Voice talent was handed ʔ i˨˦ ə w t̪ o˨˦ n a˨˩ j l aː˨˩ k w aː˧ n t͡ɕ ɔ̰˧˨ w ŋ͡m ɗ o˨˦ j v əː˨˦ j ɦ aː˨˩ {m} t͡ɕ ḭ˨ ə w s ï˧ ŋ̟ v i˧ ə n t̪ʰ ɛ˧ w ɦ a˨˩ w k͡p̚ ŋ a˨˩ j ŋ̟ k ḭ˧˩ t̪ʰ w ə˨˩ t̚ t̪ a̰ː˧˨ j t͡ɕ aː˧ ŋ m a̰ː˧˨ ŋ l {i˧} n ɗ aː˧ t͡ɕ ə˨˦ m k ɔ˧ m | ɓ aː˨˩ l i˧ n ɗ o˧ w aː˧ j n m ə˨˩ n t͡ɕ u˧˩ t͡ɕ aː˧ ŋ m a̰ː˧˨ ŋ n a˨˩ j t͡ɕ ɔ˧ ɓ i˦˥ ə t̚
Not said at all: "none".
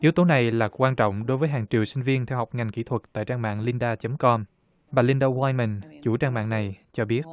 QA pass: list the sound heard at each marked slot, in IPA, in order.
ŋ, i˧

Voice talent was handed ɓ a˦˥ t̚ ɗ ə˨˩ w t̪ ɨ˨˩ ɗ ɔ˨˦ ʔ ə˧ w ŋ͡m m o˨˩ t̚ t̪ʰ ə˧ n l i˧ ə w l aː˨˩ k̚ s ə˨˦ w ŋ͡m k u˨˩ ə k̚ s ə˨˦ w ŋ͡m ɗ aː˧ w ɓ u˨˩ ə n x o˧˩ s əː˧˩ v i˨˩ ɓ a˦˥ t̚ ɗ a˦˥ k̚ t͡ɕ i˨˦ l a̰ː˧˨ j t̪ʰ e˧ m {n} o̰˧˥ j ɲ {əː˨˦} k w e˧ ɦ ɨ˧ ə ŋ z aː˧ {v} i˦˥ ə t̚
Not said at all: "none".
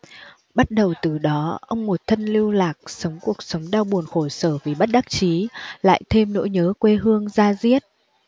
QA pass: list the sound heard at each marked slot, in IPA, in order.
n, əː˨˦, z

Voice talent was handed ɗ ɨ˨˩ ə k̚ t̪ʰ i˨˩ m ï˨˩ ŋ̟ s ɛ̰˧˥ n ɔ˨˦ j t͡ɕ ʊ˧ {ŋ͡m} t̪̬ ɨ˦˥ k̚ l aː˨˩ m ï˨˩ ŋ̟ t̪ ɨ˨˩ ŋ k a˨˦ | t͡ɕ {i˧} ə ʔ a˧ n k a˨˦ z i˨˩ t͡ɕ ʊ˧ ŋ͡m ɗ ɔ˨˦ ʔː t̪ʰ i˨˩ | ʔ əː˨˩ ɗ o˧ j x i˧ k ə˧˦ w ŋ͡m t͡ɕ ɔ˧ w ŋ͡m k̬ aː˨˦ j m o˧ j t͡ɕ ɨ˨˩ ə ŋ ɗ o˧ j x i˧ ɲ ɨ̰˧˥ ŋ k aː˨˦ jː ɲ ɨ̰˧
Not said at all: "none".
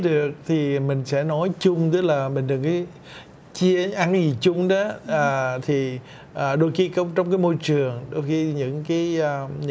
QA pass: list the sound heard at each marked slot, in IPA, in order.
ŋ͡m, i˧

